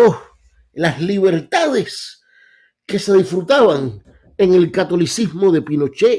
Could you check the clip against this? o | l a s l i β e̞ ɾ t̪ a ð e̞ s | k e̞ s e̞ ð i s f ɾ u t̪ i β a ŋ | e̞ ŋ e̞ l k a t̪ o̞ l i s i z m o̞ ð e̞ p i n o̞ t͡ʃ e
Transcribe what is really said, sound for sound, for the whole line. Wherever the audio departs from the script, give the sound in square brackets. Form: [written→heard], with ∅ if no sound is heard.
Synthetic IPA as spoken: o | l a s l i β e̞ ɾ t̪ a ð e̞ s | k e̞ s e̞ ð i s f ɾ u t̪ [i→a] β a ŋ | e̞ ŋ e̞ l k a t̪ o̞ l i s i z m o̞ ð e̞ p i n o̞ t͡ʃ e